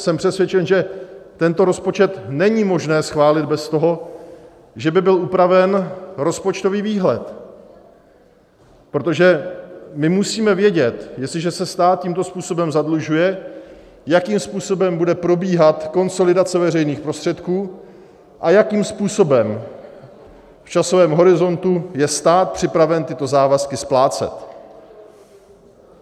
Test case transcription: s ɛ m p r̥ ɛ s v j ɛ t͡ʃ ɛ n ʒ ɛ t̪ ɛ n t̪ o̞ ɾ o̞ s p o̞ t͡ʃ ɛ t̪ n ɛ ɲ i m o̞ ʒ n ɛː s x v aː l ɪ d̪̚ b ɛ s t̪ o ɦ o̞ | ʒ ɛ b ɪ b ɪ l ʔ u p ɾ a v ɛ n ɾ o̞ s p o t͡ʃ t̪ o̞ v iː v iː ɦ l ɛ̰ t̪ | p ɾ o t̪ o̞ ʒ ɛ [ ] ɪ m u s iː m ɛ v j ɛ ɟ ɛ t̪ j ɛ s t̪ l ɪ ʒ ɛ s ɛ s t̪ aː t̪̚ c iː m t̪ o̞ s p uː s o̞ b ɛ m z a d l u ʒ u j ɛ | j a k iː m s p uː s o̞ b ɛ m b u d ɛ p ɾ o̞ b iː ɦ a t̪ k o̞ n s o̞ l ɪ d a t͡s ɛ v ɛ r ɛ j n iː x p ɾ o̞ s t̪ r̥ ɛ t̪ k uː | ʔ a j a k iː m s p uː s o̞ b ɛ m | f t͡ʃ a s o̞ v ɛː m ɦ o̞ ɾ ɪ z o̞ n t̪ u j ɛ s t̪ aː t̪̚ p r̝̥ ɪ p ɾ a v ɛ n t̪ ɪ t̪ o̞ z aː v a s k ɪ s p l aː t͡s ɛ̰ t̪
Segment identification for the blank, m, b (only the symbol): m